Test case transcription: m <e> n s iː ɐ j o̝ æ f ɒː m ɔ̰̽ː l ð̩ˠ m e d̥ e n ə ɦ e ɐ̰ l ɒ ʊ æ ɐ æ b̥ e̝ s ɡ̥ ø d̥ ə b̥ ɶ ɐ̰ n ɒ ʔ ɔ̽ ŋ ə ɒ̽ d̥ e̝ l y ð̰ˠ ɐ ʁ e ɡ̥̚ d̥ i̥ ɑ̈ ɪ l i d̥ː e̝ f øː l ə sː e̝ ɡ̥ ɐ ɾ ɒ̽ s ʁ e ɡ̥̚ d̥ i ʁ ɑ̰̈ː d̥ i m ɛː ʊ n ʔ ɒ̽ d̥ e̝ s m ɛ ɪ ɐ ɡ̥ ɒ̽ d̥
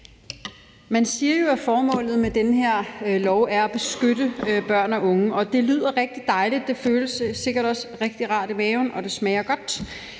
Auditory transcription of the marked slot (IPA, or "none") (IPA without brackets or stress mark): æ